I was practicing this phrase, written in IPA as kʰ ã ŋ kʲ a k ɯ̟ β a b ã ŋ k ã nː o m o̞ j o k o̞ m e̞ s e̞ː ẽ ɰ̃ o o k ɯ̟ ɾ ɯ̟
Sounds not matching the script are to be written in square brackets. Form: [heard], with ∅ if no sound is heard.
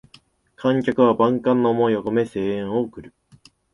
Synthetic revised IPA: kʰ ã ŋ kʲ a k ɯ̟ β a b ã ŋ k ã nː o m o̞ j o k o̞ m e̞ s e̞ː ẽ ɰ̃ o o k ɯ̟ ɾ ɯ̟